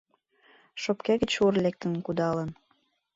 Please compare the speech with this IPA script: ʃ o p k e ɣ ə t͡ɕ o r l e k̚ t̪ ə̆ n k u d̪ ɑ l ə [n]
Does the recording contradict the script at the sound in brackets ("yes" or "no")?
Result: no